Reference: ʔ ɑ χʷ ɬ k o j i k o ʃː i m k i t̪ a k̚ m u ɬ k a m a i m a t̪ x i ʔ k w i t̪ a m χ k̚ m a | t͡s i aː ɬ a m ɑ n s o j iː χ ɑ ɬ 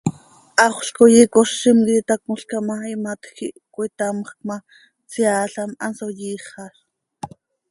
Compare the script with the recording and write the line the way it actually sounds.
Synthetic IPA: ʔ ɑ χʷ ɬ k o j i k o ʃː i m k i t̪ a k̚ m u ɬ k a m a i m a t̪ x i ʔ k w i t̪ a m χ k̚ m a | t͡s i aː ɬ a m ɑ n s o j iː χ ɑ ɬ